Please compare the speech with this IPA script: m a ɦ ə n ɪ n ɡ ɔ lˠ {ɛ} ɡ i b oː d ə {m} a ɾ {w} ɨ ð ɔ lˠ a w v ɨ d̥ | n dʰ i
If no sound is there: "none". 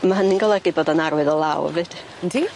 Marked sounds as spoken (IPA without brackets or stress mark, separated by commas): ɛ, n, w